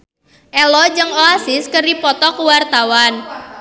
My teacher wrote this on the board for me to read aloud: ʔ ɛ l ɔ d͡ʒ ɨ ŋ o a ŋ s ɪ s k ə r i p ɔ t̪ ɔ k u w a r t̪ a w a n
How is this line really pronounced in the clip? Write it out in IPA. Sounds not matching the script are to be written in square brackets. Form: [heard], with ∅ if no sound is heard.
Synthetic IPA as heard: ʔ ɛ l ɔ d͡ʒ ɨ ŋ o a [∅] s ɪ s k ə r i p ɔ t̪ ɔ k u w a r t̪ a w a n